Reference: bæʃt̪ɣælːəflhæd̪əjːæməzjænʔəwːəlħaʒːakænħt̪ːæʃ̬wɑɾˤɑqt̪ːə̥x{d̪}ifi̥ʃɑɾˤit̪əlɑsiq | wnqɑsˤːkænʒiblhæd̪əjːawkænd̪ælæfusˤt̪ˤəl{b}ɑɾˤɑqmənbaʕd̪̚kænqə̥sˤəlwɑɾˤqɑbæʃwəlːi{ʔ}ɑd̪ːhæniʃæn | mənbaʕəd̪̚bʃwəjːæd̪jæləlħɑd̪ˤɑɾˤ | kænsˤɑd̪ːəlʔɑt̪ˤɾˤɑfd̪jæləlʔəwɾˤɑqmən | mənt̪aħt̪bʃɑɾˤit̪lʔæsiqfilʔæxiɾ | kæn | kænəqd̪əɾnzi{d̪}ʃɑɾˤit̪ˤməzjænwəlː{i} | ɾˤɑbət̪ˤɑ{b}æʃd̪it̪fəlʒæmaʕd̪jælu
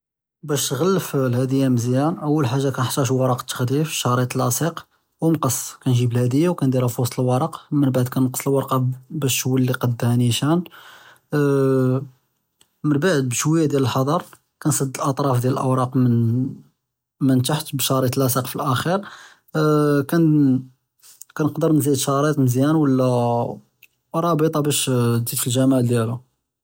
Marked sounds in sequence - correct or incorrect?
correct, incorrect: w, incorrect: q, correct, incorrect: æ, correct

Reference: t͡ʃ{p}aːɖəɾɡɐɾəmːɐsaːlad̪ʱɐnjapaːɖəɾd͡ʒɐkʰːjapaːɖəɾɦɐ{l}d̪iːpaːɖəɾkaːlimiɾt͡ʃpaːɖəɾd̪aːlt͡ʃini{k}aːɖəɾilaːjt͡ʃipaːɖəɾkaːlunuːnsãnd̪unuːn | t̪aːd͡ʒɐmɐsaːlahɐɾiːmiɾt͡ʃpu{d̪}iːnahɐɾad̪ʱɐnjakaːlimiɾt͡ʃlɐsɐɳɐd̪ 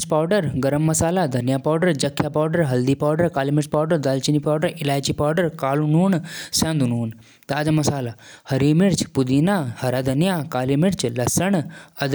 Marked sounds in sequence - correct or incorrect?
correct, correct, incorrect: p, correct

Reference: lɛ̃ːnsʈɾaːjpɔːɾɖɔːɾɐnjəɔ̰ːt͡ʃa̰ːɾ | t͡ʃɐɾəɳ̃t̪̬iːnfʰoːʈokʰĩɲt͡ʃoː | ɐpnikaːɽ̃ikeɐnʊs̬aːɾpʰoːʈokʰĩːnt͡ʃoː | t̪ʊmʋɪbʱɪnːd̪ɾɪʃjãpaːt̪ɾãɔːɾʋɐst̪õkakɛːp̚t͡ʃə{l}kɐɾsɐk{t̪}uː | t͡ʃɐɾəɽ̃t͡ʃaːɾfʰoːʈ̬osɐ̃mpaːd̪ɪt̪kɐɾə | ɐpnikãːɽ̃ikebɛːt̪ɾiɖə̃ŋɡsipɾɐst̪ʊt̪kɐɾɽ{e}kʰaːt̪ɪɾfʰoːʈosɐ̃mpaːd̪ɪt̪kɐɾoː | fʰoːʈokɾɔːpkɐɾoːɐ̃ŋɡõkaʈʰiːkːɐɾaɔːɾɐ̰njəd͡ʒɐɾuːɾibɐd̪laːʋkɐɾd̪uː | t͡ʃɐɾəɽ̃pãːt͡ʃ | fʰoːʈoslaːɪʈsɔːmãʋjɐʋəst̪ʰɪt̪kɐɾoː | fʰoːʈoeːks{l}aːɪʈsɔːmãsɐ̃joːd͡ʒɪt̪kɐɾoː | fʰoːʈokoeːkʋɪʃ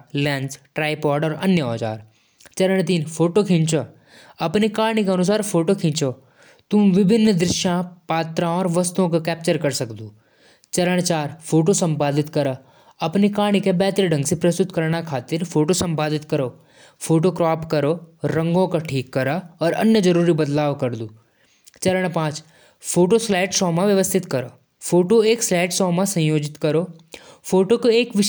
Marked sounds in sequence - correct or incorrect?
incorrect: ɾ, incorrect: d̪, incorrect: a, correct

